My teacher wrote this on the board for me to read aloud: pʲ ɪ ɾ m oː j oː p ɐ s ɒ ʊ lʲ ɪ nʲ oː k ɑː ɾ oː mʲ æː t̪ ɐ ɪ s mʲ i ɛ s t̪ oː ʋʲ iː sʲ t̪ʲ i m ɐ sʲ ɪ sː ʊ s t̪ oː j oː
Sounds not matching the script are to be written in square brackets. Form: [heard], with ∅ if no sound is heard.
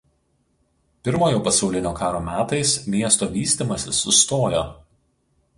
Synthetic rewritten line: pʲ ɪ ɾ m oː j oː p ɐ s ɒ ʊ lʲ ɪ nʲ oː k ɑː ɾ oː mʲ æː t̪ ɐ ɪ s mʲ i ɛ s t̪ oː ʋʲ iː sʲ t̪ʲ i m ɐ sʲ ɪ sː ʊ s t̪ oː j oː